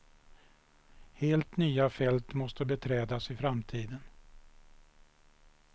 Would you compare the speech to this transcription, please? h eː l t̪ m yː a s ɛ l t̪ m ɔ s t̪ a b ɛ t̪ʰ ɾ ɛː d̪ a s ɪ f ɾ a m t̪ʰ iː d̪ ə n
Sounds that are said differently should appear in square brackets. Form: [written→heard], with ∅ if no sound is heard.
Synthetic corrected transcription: h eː l t̪ [m→n] yː a [s→f] ɛ l t̪ m ɔ s t̪ [a→ə] b ɛ t̪ʰ ɾ ɛː d̪ a s ɪ f ɾ a m t̪ʰ iː d̪ ə n